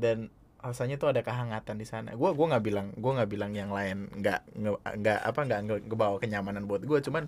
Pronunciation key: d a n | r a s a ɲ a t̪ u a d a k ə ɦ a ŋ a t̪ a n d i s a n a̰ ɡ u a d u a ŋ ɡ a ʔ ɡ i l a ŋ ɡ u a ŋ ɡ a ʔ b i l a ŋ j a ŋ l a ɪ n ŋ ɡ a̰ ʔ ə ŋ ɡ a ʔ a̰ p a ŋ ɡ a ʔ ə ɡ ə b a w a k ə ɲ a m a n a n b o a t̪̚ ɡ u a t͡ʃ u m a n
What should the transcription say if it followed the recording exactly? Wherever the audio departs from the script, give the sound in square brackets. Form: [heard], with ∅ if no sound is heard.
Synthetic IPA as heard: d a n | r a s a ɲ a t̪ u a d a k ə ɦ a ŋ a t̪ a n d i s a n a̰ ɡ u a [ɡ] u a ŋ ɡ a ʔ [b] i l a ŋ ɡ u a ŋ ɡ a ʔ b i l a ŋ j a ŋ l a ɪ n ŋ ɡ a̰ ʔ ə ŋ ɡ a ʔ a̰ p a ŋ ɡ a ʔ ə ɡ ə b a w a k ə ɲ a m a n a n b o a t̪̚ ɡ u a t͡ʃ u m a n